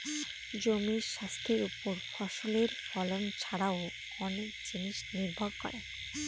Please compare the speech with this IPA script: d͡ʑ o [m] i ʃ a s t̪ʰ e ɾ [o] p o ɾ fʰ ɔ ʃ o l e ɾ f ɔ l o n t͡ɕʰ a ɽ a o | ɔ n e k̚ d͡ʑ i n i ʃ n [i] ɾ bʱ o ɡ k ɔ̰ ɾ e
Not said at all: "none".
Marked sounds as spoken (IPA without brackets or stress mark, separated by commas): m, u, i